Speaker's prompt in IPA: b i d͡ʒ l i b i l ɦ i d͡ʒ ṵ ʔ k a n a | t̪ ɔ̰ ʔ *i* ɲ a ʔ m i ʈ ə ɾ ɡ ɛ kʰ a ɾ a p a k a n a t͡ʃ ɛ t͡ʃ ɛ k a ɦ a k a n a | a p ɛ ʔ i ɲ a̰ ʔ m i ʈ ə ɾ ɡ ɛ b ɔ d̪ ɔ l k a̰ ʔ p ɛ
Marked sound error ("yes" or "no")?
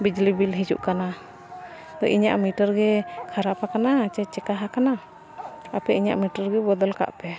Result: no